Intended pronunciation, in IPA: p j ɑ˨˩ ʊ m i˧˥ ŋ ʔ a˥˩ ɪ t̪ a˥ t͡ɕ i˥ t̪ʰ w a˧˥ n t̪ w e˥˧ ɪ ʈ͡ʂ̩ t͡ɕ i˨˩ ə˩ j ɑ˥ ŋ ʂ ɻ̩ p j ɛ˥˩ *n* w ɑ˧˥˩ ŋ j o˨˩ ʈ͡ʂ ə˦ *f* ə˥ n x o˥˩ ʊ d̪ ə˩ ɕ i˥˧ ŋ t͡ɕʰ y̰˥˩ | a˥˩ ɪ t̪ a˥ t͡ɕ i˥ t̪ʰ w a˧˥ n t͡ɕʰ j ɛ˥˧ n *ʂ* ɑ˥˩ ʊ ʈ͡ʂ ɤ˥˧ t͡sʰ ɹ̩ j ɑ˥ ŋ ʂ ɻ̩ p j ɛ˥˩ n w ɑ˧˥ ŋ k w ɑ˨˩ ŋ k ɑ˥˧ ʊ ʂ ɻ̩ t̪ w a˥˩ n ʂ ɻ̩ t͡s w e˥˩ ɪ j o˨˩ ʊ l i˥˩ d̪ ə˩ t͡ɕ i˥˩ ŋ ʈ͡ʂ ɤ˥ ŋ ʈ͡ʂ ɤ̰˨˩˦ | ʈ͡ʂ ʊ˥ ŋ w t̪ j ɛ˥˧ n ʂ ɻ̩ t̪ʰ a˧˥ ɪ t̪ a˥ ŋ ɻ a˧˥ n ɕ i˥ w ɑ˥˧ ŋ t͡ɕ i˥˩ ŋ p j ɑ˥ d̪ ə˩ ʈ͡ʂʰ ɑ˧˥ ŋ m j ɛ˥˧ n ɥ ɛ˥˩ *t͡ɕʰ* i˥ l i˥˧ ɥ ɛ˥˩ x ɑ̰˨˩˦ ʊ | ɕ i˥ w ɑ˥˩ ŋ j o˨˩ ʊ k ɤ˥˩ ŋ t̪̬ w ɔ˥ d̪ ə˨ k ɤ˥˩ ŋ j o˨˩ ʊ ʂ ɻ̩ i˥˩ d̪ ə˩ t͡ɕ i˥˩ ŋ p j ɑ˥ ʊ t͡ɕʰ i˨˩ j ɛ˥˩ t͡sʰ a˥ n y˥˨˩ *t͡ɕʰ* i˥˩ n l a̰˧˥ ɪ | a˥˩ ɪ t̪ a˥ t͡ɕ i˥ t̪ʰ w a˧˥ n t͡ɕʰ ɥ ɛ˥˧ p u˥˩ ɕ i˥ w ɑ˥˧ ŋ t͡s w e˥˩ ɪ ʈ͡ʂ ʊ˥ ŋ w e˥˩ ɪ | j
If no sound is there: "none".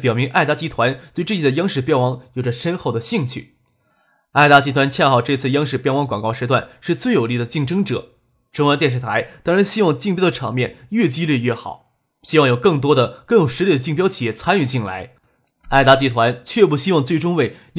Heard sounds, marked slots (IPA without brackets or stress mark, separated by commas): n, ʂ, x, t͡ɕ, t͡ɕ